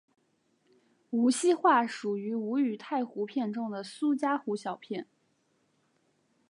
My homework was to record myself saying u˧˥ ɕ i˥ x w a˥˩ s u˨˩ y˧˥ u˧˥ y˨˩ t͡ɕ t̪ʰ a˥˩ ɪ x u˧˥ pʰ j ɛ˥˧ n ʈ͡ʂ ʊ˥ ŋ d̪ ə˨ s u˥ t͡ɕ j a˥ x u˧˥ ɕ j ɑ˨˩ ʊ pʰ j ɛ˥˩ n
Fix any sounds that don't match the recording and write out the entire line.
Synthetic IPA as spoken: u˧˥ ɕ i˥ x w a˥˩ ʂ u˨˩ y˧˥ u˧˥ y˨˩ t̪ʰ a˥˩ ɪ x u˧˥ pʰ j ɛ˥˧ n ʈ͡ʂ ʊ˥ ŋ d̪ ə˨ s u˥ t͡ɕ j a˥ x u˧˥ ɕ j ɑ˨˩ ʊ pʰ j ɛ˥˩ n